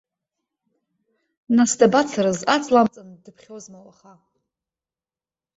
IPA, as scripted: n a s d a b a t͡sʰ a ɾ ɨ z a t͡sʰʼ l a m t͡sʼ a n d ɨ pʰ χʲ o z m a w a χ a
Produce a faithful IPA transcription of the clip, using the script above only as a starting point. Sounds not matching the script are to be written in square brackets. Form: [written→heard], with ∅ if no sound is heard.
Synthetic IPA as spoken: n a s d a b a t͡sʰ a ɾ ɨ z a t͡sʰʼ l a m t͡sʼ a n d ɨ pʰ χʲ o z m a w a χ a